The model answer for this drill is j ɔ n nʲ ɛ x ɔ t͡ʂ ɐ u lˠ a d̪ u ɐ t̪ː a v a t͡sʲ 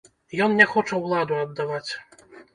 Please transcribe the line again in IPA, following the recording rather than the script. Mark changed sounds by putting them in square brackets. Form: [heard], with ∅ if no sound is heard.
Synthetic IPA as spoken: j ɔ n nʲ ɛ x ɔ t͡ʂ ɐ [w] lˠ a d̪ u ɐ [d̪ː] a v a t͡sʲ